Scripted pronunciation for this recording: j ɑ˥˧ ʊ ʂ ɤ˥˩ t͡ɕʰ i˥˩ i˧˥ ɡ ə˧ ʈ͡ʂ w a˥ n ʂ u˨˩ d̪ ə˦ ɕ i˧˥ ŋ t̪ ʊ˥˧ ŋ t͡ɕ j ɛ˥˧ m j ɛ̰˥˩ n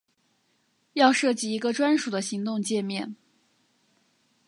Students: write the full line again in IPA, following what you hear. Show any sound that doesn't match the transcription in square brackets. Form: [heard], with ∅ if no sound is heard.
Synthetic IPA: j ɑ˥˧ ʊ ʂ ɤ˥˩ [t͡ɕ] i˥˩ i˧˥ ɡ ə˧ ʈ͡ʂ w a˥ n ʂ u˨˩ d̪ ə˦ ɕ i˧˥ ŋ t̪ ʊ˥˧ ŋ t͡ɕ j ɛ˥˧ m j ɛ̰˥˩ n